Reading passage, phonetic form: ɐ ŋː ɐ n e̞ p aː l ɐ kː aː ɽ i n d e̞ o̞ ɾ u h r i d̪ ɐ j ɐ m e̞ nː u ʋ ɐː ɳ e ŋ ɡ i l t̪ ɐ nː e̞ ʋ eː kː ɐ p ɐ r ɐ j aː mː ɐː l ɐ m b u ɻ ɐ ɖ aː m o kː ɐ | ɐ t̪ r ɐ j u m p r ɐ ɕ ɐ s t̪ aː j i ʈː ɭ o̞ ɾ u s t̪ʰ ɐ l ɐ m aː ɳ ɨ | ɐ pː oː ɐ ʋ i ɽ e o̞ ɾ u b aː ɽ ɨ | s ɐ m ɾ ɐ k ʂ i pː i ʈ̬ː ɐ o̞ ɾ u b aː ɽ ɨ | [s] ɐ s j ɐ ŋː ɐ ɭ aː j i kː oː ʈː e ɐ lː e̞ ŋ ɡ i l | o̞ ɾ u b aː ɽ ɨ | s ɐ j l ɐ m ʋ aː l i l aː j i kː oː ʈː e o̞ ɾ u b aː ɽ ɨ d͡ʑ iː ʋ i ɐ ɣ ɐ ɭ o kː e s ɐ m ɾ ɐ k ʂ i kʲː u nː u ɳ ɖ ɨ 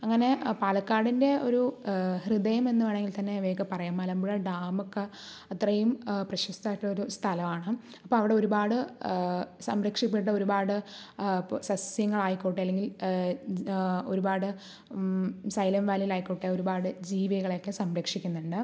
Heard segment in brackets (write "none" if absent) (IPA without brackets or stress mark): s